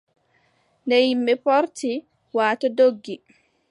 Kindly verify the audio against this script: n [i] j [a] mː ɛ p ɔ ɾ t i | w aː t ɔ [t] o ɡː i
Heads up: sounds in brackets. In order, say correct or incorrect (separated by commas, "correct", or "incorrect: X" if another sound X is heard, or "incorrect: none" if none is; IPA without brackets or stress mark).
incorrect: ɛ, incorrect: i, incorrect: d